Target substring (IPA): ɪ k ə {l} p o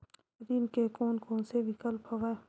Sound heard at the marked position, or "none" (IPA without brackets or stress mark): l